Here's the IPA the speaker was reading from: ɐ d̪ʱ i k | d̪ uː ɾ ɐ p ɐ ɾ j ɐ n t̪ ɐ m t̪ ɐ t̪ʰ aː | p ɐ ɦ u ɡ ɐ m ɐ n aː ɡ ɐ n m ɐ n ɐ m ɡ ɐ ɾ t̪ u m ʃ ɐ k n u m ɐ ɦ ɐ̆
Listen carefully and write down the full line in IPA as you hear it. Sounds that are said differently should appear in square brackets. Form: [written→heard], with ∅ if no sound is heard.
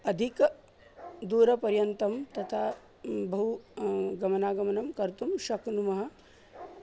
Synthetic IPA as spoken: ɐ d̪ʱ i k | d̪ uː ɾ ɐ p ɐ ɾ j ɐ n t̪ ɐ m t̪ ɐ t̪ʰ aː | [p→b] ɐ ɦ u ɡ ɐ m ɐ n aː ɡ ɐ [n→∅] m ɐ n ɐ m [ɡ→k] ɐ ɾ t̪ u m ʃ ɐ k n u m ɐ ɦ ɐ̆